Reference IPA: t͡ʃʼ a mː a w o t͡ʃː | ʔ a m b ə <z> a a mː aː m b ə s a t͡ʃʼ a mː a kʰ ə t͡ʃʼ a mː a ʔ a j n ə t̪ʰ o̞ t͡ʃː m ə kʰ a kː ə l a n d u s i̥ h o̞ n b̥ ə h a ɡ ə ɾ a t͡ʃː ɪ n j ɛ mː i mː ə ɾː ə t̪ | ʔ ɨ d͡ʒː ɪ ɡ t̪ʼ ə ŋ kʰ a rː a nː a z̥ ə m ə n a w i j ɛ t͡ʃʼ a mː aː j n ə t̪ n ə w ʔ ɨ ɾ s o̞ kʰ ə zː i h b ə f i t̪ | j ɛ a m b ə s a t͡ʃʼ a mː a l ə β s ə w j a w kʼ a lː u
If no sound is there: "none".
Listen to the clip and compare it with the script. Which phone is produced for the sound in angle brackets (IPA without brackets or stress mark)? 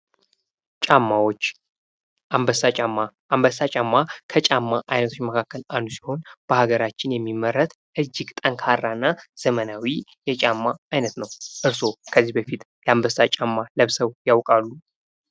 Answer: s